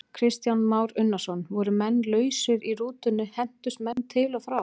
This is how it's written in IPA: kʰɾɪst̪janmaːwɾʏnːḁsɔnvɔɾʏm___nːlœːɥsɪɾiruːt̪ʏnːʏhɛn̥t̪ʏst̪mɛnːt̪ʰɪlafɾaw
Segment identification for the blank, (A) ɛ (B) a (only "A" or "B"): A